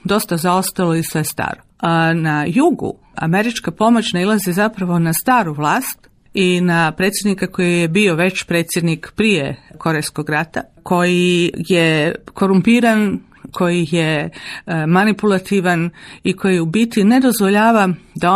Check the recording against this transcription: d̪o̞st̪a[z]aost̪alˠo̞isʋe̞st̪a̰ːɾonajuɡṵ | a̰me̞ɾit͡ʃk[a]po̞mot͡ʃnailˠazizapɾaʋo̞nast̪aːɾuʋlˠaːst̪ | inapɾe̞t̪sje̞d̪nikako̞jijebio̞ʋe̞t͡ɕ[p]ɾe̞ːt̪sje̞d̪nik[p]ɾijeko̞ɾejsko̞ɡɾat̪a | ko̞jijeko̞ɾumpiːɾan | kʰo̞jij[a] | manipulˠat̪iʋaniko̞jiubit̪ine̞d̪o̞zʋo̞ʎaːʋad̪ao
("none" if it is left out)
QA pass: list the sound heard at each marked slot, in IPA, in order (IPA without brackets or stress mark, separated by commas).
z, a, p, p, e